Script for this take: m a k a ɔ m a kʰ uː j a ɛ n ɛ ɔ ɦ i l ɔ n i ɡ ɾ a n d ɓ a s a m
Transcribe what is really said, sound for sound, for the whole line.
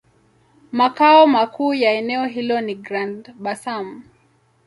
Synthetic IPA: m a k a ɔ m a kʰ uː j a ɛ n ɛ ɔ ɦ i l ɔ n i ɡ ɾ a n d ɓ a s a m